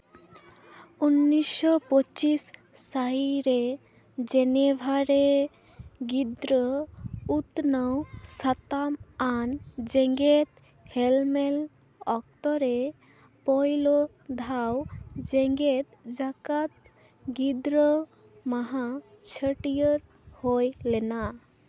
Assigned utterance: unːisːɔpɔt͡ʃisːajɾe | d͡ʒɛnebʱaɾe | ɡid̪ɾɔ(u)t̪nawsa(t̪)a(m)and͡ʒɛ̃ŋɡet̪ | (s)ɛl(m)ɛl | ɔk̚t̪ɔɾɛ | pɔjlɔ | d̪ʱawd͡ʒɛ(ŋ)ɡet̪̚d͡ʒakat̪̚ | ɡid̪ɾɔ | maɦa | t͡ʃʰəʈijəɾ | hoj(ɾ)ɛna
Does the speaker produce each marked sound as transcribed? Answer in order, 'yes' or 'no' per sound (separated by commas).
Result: yes, yes, yes, no, yes, yes, no